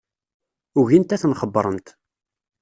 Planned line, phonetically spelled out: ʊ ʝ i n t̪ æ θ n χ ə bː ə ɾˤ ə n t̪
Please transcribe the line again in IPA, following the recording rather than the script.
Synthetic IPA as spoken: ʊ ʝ i n t̪ æ θ n χ ə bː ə ɾˤ ə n t̪